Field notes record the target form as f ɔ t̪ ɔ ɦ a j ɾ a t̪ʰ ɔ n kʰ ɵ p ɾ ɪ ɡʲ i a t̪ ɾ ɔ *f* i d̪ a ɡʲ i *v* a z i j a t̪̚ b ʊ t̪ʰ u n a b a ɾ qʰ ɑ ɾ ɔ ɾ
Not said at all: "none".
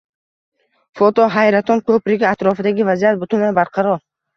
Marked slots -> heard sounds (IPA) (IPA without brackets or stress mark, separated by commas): f, v